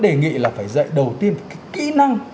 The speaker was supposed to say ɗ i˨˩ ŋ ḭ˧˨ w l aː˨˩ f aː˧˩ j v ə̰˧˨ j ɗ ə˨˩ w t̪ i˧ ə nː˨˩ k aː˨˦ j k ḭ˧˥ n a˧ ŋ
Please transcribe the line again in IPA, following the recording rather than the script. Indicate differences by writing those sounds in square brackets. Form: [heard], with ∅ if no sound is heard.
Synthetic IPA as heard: ɗ [e˨˩] ŋ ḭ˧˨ [∅] l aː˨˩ f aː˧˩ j [z] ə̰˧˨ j ɗ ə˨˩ w t̪ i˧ ə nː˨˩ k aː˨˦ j k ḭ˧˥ n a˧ ŋ

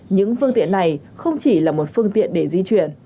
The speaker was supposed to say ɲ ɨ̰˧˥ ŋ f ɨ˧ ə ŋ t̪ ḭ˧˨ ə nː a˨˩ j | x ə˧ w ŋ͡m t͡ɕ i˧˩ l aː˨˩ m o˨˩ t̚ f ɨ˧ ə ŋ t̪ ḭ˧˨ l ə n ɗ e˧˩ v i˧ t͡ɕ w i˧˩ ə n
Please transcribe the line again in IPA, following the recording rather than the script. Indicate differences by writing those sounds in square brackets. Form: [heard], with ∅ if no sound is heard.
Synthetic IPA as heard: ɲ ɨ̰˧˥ ŋ f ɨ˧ ə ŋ t̪ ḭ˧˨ ə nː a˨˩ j | x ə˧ w ŋ͡m t͡ɕ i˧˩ l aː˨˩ m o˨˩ t̚ f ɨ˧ ə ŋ t̪ ḭ˧˨ [∅] ə n ɗ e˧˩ [z] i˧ t͡ɕ w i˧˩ ə n

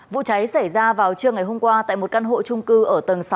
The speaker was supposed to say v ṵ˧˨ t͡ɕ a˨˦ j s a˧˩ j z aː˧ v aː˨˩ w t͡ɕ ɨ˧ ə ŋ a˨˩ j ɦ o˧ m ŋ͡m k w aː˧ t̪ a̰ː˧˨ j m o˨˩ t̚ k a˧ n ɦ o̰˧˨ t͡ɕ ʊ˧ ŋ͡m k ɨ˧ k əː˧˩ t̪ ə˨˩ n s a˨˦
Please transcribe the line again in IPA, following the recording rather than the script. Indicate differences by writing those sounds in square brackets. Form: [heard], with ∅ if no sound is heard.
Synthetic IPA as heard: v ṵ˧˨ t͡ɕ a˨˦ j s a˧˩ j z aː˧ v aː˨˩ w t͡ɕ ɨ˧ ə ŋ a˨˩ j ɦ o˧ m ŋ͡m k w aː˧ t̪ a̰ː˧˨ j m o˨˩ t̚ k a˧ n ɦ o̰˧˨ t͡ɕ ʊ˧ ŋ͡m k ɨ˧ [ʔ] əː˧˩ t̪ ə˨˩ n s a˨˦

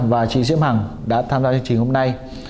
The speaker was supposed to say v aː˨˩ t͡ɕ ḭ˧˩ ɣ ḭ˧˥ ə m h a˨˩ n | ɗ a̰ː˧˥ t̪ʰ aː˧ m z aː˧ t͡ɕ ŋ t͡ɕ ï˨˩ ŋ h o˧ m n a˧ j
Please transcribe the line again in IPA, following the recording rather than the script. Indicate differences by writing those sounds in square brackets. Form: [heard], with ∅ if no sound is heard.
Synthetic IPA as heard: v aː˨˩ t͡ɕ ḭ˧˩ [z] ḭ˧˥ ə m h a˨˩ [ŋ] | ɗ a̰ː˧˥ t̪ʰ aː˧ m z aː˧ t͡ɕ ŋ t͡ɕ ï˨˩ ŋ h o˧ m n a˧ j

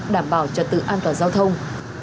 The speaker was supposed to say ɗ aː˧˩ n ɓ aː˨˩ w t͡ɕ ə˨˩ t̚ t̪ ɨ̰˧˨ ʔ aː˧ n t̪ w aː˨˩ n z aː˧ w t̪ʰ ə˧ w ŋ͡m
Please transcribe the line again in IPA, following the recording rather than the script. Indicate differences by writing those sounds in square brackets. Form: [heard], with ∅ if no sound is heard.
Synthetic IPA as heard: ɗ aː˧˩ [m] ɓ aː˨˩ w t͡ɕ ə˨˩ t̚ t̪ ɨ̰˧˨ ʔ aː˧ n t̪ w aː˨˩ n z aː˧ w t̪ʰ ə˧ w ŋ͡m

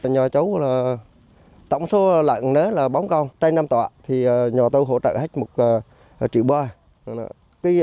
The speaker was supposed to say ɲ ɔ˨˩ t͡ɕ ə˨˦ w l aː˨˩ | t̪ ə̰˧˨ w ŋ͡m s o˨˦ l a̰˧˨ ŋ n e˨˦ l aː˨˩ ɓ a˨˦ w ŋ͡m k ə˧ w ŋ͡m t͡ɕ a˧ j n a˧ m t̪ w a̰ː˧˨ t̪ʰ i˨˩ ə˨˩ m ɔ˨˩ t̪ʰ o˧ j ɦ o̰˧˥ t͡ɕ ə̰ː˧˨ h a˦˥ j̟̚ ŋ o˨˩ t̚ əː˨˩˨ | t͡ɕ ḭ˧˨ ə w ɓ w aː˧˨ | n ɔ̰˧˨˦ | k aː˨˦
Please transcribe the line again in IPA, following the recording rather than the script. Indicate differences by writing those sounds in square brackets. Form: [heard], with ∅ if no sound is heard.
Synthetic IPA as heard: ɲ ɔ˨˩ t͡ɕ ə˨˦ w l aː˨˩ | t̪ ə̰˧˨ w ŋ͡m s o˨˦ l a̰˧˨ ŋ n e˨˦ l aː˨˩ ɓ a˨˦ w ŋ͡m k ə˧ w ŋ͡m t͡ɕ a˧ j n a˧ m t̪ w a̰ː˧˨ t̪ʰ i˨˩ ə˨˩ [ɲ] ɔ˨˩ [t̪] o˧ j ɦ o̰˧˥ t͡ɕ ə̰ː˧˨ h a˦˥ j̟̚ [m] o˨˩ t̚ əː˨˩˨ | t͡ɕ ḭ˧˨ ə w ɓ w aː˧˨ | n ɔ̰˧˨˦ | k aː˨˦

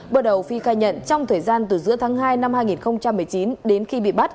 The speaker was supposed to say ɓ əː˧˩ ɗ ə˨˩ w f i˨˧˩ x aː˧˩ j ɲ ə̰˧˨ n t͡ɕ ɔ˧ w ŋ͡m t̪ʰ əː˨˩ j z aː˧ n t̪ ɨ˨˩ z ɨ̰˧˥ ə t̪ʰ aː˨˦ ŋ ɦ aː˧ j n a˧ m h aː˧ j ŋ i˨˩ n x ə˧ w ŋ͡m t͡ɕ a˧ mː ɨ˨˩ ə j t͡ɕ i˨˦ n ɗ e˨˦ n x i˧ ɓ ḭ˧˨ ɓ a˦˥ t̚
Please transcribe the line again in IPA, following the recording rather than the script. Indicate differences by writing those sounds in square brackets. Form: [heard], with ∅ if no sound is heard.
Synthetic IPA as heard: ɓ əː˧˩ ɗ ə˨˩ w f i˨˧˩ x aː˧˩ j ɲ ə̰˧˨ n t͡ɕ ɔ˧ w ŋ͡m t̪ʰ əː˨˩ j z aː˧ n t̪ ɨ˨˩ z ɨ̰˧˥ ə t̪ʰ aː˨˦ ŋ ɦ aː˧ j n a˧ m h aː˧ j ŋ i˨˩ n x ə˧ w ŋ͡m t͡ɕ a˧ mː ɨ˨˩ ə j t͡ɕ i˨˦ n ɗ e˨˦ n x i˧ ɓ ḭ˧˨ ɓ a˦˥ t̚

